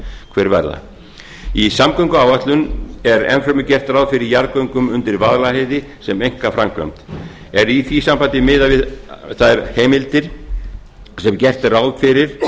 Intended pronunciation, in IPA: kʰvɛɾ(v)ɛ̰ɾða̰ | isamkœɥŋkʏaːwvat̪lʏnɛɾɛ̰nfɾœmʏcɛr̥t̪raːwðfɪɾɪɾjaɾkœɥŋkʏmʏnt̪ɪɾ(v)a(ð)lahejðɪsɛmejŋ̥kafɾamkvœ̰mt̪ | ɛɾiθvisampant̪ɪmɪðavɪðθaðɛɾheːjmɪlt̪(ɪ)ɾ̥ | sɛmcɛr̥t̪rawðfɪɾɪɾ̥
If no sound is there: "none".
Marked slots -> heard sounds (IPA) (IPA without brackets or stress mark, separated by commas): v, v, ð, ɪ